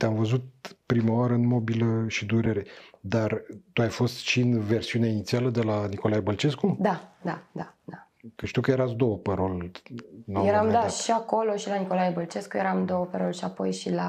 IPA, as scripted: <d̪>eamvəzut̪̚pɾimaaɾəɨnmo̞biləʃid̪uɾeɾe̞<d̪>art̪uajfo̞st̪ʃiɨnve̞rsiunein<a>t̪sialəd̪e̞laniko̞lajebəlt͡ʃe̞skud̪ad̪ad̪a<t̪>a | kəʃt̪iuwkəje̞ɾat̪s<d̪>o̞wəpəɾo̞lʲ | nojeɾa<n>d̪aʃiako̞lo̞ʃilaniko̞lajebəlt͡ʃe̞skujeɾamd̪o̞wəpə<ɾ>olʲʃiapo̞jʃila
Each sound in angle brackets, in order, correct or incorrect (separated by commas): incorrect, correct, incorrect, incorrect, correct, incorrect, correct